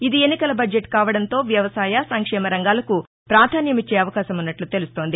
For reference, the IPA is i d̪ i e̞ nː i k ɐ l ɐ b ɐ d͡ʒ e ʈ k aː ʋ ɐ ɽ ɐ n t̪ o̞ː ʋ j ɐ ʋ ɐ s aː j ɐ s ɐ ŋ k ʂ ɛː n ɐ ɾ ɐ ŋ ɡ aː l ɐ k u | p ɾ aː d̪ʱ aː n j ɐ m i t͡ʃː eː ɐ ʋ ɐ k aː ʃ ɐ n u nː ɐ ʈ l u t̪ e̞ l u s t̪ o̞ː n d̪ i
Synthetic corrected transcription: i d̪ i e̞ nː i k ɐ l ɐ b ɐ d͡ʒ e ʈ k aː ʋ ɐ ɽ ɐ n t̪ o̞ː ʋ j ɐ ʋ ɐ s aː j ɐ s ɐ ŋ k ʂ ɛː m ɐ ɾ ɐ ŋ ɡ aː l ɐ k u | p ɾ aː d̪ʱ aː n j ɐ m i t͡ʃː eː ɐ ʋ ɐ k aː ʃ ɐ m u nː ɐ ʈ l u t̪ e̞ l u s t̪ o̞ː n d̪ i